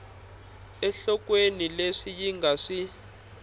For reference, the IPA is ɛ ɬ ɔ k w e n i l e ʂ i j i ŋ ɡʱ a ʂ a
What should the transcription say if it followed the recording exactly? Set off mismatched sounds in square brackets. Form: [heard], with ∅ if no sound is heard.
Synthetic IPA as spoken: ɛ ɬ ɔ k w e n i l e ʂ i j i ŋ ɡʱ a ʂ [i]